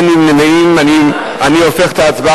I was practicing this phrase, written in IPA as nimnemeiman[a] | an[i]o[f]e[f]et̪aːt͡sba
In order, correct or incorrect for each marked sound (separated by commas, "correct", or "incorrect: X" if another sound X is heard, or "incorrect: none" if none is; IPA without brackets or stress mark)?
incorrect: i, correct, correct, incorrect: χ